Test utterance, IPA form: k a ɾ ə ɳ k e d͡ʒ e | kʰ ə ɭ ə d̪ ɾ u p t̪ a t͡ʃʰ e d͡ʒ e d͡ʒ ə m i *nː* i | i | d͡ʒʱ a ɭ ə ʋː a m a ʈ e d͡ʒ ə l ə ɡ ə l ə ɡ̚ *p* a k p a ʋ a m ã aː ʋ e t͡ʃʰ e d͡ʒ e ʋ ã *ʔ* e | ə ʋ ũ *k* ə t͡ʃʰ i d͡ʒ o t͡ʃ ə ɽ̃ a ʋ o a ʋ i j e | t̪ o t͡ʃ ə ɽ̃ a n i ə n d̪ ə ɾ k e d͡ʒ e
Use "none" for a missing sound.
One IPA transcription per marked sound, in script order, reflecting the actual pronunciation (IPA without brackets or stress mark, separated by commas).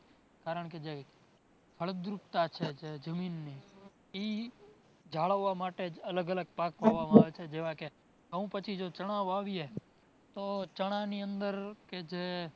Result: nː, p, k, p